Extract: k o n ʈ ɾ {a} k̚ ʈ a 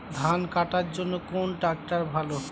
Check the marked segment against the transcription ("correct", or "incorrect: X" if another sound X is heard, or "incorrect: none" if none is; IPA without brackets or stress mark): correct